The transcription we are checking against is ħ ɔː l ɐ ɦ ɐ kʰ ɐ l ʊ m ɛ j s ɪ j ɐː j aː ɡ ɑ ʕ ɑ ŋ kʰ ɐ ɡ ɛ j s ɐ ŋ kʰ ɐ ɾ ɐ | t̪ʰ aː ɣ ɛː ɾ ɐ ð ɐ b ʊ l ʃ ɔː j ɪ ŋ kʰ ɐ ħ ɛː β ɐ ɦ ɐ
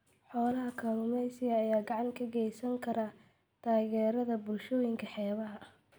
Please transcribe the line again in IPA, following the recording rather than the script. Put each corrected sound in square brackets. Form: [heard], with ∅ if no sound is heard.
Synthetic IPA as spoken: ħ ɔː l ɐ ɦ ɐ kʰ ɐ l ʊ m ɛ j s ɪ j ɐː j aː ɡ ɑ ʕ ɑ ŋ kʰ ɐ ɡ ɛ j s ɐ ŋ kʰ ɐ ɾ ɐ | t̪ʰ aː ɣ ɛː ɾ ɐ ð ɐ b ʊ l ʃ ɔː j ɪ ŋ kʰ ɐ ħ ɛː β ɐ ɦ ɐ